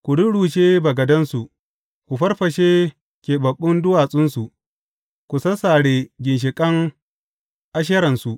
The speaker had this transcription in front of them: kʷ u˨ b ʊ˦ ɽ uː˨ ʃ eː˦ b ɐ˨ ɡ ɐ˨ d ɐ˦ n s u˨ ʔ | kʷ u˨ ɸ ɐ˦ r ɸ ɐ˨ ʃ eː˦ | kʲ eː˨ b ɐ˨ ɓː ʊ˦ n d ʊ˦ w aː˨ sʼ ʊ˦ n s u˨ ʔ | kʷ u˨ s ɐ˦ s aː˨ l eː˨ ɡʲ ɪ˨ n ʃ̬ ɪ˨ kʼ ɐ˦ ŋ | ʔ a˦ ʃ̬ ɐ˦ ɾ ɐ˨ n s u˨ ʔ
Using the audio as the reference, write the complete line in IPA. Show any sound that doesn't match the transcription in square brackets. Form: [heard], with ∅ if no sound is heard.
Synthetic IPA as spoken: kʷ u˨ [d] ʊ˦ ɽ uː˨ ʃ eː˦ b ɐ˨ ɡ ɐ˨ d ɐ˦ n s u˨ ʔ | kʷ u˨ ɸ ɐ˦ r ɸ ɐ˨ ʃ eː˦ | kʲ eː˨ b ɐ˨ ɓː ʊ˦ n d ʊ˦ w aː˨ sʼ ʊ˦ n s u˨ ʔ | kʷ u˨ s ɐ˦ s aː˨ [ɽ] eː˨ ɡʲ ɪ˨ n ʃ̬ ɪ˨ kʼ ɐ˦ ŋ | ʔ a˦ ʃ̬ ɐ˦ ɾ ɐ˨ n s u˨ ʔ